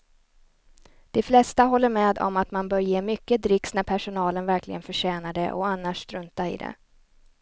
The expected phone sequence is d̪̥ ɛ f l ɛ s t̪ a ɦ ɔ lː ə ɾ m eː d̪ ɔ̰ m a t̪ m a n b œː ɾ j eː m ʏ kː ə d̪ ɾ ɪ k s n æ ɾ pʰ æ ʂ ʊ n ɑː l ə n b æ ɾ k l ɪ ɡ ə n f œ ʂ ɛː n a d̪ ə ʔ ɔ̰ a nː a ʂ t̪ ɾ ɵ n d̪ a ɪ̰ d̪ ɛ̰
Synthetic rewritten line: d̪̥ ɛ f l ɛ s t̪ a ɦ ɔ lː ə ɾ m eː d̪ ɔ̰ m a t̪ m a n b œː ɾ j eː m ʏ kː ə d̪ ɾ ɪ k s n æ ɾ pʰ æ ʂ ʊ n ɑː l ə n v æ ɾ k l ɪ ɡ ə n f œ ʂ ɛː n a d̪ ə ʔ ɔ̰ a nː a ʂ t̪ ɾ ɵ n t̪ a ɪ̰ d̪ ɛ̰